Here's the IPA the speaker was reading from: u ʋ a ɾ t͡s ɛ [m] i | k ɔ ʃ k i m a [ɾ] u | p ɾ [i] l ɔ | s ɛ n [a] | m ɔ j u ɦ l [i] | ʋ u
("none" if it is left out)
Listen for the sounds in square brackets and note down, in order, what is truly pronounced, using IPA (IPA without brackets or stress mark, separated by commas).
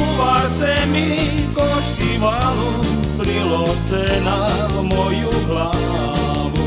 m, l, i, a, a